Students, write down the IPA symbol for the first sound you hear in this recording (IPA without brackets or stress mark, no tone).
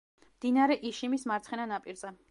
m